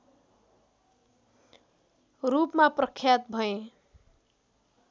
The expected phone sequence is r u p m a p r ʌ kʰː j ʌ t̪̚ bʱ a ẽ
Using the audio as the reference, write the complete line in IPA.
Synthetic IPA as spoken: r u p m a p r ʌ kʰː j a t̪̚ bʱ ʌ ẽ

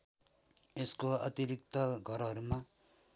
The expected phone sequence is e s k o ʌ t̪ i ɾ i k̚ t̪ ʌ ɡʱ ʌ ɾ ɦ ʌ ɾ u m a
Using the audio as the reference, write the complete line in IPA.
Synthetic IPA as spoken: e s k o ʌ t̪ i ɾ i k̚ t̪ ʌ ɡʱ ʌ ɾ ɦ ʌ ɾ u m a

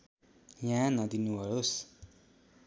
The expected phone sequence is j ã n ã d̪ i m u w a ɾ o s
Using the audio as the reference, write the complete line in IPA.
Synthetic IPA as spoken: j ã n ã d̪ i n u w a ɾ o s

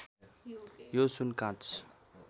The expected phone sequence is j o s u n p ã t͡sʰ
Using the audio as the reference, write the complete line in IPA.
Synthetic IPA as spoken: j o s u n k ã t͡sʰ

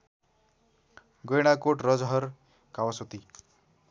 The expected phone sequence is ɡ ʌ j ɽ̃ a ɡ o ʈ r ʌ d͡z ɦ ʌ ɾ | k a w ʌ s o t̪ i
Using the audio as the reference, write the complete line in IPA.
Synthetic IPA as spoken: ɡ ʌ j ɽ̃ a k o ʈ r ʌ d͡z ɦ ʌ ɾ | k a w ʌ s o t̪ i

